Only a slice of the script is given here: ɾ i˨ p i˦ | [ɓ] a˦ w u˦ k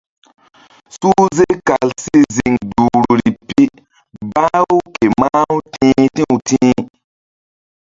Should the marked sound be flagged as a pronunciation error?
yes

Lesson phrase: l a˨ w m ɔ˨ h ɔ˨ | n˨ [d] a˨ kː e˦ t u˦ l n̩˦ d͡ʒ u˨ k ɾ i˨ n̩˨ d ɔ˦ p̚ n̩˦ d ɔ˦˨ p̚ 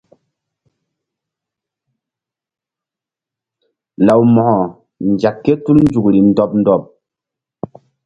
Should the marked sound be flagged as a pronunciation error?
yes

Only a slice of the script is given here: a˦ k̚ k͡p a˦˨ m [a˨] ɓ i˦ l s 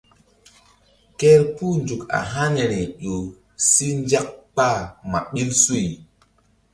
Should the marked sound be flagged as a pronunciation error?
no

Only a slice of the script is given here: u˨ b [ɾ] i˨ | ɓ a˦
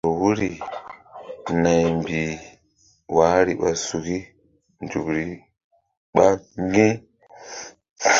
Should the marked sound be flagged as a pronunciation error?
no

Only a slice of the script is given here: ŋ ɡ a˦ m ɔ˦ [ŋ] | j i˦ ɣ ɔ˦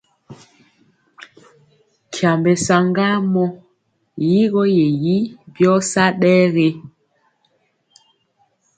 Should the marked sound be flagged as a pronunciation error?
yes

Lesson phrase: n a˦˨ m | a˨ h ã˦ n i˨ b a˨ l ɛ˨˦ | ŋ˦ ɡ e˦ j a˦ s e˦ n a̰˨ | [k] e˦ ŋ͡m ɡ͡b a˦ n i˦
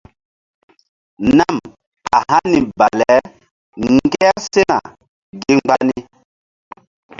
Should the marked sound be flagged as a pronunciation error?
yes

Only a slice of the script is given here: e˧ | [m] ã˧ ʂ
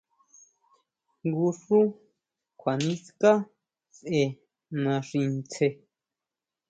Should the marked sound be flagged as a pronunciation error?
yes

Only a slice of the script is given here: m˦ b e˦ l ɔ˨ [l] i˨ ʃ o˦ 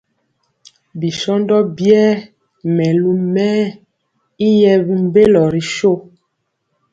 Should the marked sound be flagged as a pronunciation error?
yes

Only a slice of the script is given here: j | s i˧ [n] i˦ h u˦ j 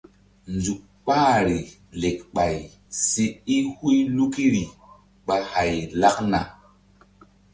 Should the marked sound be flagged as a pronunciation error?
yes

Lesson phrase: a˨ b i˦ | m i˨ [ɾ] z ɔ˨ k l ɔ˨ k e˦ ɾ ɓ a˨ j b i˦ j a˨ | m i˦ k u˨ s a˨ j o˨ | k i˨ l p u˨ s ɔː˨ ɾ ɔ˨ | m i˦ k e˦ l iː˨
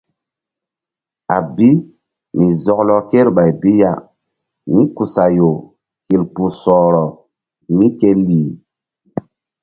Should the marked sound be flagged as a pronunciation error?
yes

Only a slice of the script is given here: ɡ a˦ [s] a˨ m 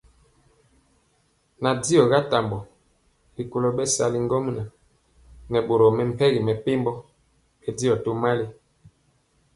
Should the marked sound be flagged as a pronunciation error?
yes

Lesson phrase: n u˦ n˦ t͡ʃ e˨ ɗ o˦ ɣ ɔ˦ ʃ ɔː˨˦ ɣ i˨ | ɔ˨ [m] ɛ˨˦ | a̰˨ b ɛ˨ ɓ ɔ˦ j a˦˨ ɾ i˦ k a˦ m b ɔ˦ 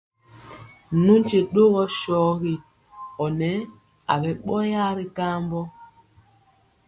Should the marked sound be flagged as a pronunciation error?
yes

